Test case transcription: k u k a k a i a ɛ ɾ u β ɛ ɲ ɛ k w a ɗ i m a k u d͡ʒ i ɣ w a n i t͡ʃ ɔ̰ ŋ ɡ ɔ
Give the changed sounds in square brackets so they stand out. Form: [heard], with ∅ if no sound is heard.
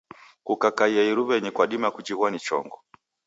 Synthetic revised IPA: k u k a k a i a [i] ɾ u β ɛ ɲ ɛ k w a ɗ i m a k u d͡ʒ i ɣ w a n i t͡ʃ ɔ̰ ŋ ɡ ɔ